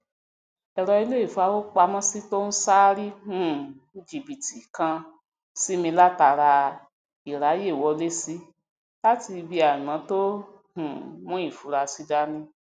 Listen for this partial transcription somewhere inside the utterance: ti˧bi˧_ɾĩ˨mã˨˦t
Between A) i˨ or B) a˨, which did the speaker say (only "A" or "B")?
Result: B